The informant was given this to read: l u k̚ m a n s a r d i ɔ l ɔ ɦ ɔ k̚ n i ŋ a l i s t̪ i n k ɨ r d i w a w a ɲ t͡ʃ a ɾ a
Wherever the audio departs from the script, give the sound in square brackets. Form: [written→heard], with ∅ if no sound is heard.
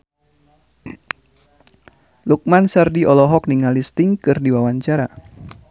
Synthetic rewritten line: l u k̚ m a n s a r d i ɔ l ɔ ɦ ɔ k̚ n i ŋ a l i s t̪ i [n→ŋ] k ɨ r d i w a w a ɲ t͡ʃ a ɾ a